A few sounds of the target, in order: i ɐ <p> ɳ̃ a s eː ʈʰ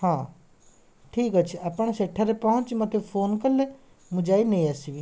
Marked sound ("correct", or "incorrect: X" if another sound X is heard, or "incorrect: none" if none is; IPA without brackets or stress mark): correct